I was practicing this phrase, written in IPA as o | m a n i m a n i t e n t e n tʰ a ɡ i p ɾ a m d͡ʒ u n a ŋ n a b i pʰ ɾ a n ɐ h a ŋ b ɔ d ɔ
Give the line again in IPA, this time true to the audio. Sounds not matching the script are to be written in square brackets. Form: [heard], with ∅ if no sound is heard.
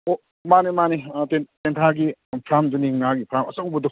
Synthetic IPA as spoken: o | m a n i m a n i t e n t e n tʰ a ɡ i [pʰ] ɾ a m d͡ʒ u n [i] ŋ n a [ɡ] i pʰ ɾ a [m] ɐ [s] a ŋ b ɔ d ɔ